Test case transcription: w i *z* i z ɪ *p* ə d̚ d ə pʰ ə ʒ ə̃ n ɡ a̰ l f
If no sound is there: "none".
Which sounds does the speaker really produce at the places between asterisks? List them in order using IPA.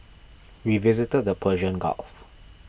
v, t

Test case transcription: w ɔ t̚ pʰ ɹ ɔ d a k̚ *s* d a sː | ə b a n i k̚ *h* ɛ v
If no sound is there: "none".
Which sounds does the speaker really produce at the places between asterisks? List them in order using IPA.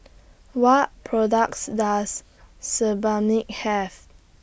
s, h

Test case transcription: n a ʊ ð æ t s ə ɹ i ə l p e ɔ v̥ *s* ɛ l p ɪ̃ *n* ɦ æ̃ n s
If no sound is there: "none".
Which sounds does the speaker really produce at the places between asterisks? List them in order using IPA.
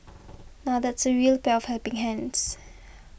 h, ŋ

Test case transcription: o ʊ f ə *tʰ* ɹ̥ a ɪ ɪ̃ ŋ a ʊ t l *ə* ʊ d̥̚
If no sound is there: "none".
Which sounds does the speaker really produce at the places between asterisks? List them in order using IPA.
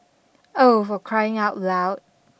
kʰ, a

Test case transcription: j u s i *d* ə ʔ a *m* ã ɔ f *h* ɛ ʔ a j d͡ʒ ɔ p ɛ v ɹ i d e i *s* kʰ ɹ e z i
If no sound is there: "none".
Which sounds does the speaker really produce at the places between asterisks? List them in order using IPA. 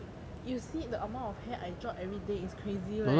d, m, h, s

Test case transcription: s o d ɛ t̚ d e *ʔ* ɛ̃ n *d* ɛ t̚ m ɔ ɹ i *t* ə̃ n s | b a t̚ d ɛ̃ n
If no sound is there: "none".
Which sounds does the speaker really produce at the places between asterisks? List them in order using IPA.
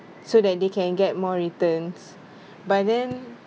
k, ɡ, t

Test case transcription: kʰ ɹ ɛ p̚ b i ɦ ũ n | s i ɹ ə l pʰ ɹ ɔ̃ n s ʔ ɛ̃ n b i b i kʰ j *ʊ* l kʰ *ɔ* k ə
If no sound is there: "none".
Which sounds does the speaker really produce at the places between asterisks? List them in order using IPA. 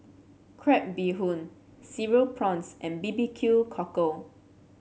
u, ɔ

